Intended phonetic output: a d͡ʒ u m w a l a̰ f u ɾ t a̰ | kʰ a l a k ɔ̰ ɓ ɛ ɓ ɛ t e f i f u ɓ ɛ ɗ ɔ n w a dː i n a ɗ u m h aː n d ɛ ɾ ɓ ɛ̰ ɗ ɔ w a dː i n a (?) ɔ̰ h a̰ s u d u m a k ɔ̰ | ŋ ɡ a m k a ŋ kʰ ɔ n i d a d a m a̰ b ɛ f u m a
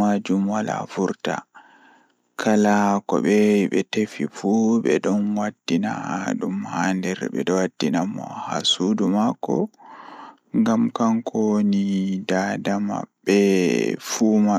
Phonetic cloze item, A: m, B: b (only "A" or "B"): A